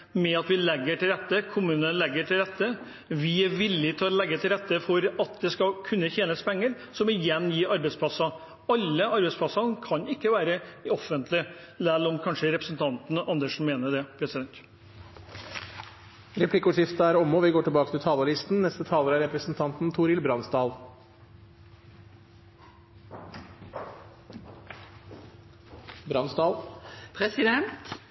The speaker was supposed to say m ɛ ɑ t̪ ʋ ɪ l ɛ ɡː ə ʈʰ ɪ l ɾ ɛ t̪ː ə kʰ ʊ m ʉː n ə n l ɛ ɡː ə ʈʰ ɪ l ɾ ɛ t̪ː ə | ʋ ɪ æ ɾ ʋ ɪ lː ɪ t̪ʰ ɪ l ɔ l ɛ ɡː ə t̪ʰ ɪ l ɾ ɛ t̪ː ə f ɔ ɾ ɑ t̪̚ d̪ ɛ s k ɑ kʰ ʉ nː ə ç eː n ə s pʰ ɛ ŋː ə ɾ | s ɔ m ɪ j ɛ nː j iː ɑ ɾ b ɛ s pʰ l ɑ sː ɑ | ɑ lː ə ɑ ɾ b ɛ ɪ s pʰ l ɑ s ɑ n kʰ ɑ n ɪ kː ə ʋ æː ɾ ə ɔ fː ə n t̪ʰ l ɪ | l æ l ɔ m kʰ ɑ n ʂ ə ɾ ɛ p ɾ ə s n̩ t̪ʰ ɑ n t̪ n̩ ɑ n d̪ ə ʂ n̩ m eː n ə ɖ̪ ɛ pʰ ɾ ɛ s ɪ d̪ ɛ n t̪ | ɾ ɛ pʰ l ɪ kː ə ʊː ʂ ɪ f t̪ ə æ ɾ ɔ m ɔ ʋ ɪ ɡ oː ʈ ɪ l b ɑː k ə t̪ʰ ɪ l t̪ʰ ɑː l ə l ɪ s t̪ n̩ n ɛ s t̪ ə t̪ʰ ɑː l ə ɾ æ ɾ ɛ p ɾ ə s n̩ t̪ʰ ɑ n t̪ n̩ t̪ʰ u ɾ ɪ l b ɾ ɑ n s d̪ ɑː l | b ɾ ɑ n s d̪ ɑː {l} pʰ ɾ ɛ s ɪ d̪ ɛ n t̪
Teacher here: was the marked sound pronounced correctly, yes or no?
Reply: yes